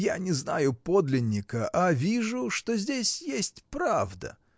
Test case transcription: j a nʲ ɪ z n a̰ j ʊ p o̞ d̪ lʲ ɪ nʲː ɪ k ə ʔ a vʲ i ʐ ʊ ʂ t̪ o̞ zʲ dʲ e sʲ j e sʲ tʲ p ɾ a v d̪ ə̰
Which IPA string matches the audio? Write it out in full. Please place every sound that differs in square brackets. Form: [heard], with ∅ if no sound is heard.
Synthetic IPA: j a nʲ ɪ z n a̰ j ʊ p o̞ d̪ lʲ ɪ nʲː ɪ k ə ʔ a vʲ i ʐ ʊ ʂ t̪ o̞ zʲ dʲ e sʲ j e sʲ tʲ p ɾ a v d̪ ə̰